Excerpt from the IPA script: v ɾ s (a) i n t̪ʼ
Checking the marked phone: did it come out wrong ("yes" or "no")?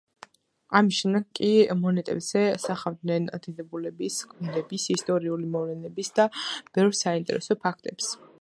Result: no